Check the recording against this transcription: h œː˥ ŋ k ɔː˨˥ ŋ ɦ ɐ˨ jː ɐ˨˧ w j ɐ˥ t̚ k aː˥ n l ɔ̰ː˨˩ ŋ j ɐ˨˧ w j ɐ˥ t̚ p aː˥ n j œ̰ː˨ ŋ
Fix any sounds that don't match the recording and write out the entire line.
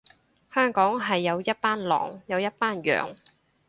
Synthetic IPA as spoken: h œː˥ ŋ k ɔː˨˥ ŋ ɦ ɐ˨ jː ɐ˨˧ w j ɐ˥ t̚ p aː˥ n l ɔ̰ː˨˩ ŋ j ɐ˨˧ w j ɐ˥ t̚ p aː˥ n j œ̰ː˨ ŋ